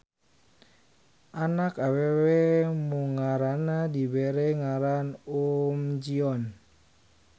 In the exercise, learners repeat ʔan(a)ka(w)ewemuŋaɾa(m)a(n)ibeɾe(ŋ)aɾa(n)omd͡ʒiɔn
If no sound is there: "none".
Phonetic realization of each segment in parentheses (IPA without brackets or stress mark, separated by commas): a, w, n, d, ŋ, n